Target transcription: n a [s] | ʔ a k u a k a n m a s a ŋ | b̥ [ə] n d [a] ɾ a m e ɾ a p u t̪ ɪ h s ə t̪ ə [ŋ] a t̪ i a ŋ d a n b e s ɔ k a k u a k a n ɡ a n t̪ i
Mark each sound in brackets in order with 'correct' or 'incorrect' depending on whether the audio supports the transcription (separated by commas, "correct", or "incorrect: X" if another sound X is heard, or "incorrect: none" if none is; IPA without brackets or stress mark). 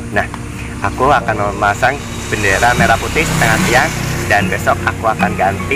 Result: incorrect: h, correct, incorrect: e, correct